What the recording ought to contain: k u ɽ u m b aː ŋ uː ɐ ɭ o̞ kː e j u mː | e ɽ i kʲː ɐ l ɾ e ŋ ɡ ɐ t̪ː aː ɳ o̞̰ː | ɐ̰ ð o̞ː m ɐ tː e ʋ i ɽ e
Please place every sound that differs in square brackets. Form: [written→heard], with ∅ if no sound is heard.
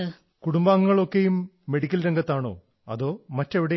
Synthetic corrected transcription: k u ɽ u m b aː ŋ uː ɐ ɭ o̞ kː e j u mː | e ɽ i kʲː ɐ l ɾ e ŋ ɡ ɐ t̪ː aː ɳ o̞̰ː | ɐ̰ ð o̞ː m ɐ tː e ʋ i ɽ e